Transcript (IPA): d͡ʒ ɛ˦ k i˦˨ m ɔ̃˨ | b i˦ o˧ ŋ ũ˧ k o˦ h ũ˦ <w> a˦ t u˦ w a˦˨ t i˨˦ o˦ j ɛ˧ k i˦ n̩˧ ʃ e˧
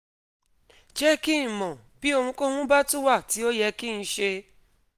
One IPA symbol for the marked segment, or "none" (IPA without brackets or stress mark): b